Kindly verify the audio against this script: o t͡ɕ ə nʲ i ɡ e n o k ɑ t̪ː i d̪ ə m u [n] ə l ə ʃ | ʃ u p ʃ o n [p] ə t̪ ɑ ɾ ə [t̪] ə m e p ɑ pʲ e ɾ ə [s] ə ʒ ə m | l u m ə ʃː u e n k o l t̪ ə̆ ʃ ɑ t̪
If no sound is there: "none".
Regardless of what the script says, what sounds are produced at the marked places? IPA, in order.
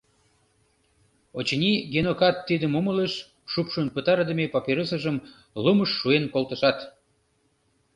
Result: m, p, d̪, s

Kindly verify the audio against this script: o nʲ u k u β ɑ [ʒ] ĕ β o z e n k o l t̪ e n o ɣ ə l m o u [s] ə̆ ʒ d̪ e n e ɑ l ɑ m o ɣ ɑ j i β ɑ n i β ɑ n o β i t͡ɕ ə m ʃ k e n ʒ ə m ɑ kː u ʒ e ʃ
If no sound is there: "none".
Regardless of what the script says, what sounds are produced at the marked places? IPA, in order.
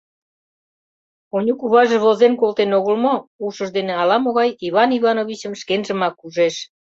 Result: ʒ, ʃ

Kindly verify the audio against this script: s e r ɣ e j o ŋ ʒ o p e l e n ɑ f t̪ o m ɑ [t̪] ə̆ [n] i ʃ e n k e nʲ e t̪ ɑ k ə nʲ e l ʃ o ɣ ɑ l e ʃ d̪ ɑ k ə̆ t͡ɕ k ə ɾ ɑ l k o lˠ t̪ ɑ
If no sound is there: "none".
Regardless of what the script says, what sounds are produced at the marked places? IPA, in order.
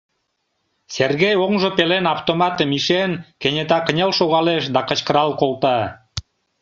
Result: t̪, m

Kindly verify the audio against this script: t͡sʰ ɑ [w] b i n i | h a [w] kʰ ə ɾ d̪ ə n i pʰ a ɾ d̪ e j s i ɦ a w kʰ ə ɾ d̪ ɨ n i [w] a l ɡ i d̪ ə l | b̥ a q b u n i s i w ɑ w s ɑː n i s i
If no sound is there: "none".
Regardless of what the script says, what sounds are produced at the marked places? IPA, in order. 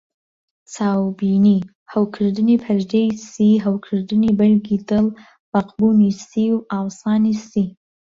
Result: w, w, b

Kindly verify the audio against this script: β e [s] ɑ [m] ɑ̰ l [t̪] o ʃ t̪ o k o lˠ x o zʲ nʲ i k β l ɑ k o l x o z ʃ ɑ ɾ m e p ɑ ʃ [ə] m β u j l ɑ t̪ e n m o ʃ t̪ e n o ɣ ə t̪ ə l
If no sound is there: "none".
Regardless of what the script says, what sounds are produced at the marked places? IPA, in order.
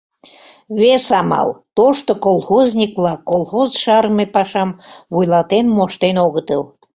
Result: s, m, t̪, ɑ

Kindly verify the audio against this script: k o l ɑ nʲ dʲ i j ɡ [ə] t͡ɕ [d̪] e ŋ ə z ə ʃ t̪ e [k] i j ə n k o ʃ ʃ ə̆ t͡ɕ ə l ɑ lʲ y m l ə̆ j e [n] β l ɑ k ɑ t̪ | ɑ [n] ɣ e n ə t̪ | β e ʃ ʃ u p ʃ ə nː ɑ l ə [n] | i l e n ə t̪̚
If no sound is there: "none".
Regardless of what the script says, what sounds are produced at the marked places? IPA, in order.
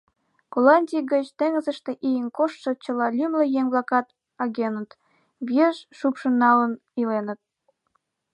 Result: ə, t̪, ʔ, ŋ, none, n

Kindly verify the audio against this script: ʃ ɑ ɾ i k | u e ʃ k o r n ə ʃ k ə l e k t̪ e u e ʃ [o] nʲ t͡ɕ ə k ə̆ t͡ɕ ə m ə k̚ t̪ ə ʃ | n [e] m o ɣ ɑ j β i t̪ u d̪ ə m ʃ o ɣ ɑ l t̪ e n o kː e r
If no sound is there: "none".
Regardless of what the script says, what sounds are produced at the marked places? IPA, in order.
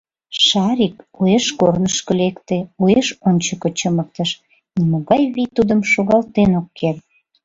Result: o, i

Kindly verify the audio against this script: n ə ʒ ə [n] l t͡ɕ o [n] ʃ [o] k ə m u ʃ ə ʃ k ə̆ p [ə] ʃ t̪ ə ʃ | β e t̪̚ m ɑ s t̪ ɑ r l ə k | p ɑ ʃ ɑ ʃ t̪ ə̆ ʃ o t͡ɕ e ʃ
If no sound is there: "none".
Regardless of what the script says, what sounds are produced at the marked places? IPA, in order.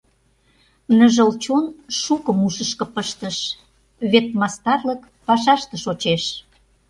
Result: none, n, u, ə

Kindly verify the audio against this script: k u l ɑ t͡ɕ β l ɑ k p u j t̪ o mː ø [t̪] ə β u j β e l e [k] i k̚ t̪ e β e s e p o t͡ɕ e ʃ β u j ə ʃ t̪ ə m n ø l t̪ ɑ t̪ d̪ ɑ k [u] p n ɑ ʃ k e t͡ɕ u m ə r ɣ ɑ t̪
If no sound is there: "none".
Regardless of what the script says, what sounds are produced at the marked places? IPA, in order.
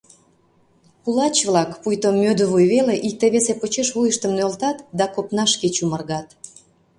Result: d̪, ʔ, o

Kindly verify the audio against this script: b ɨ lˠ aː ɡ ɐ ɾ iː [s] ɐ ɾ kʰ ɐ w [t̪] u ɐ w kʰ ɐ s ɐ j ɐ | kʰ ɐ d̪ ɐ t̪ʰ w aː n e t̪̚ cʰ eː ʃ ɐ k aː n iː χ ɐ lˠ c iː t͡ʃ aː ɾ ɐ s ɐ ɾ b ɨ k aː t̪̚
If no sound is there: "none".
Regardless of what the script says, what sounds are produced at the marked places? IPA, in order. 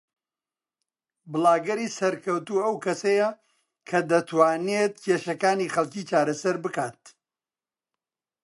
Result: s, t̪

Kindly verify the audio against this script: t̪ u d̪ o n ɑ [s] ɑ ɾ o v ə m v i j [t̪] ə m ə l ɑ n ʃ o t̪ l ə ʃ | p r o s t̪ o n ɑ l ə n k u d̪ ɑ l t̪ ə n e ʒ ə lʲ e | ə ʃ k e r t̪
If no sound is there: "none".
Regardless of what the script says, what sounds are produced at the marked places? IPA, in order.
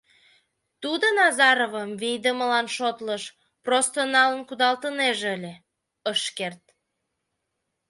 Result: z, d̪

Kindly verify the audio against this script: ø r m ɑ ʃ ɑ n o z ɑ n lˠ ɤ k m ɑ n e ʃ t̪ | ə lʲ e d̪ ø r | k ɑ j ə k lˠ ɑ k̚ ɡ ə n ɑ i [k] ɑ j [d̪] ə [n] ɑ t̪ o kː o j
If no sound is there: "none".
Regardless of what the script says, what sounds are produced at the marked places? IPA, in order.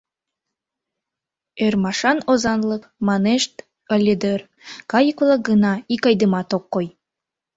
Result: k, d̪, m

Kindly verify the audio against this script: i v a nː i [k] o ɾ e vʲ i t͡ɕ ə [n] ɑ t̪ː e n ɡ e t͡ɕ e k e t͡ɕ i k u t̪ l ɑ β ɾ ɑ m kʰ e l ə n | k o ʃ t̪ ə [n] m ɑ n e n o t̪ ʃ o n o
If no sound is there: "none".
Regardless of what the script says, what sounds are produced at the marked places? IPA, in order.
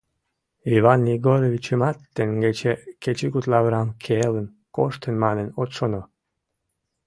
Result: ɡ, m, n

